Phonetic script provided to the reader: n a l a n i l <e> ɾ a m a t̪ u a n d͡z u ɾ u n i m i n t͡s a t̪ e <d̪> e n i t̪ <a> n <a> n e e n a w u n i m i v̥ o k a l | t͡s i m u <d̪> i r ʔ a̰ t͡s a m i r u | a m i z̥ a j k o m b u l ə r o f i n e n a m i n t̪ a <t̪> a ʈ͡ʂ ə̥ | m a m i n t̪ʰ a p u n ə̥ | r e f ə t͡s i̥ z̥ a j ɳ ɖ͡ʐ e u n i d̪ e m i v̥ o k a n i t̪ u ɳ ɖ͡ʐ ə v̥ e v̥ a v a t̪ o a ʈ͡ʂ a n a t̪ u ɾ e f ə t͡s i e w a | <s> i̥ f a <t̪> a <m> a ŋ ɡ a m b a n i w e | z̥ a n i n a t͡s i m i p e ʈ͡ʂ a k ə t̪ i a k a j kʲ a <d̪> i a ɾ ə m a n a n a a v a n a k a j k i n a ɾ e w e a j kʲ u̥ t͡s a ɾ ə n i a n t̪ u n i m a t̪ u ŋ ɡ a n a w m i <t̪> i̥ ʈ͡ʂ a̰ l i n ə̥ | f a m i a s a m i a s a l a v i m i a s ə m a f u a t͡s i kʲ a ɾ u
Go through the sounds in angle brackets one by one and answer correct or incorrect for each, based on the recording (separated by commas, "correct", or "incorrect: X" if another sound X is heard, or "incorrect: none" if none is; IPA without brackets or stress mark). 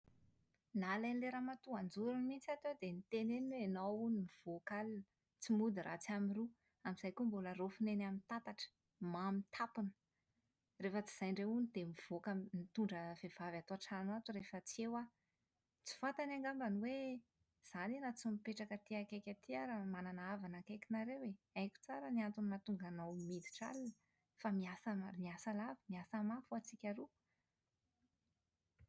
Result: correct, correct, incorrect: e, incorrect: e, correct, correct, incorrect: t͡s, correct, incorrect: n, incorrect: t̪, incorrect: d̪